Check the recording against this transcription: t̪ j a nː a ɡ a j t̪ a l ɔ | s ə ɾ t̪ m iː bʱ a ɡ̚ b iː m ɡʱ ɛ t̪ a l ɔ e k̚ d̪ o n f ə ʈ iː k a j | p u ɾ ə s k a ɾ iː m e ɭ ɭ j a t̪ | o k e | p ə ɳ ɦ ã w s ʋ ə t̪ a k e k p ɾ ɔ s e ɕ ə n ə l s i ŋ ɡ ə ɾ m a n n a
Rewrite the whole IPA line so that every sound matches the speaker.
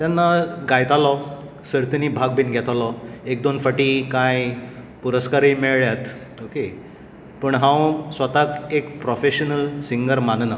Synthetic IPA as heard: t̪ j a nː a ɡ a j t̪ a l ɔ | s ə ɾ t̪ n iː bʱ a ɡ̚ b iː n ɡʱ ɛ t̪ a l ɔ e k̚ d̪ o n f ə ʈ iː k a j | p u ɾ ə s k a ɾ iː m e ɭ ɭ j a t̪ | o k e | p ə ɳ ɦ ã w s ʋ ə t̪ a k e k p ɾ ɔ f e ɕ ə n ə l s i ŋ ɡ ə ɾ m a n n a